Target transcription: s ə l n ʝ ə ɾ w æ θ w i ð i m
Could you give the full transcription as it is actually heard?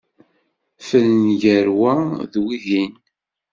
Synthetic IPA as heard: f ə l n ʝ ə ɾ w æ ð w i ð i n